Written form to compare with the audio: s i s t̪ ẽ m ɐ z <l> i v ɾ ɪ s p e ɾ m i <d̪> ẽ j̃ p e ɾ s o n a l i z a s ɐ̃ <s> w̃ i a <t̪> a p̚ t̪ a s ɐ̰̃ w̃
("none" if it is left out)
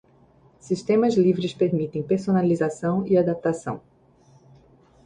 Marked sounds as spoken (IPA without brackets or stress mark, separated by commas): l, t̪, none, d̪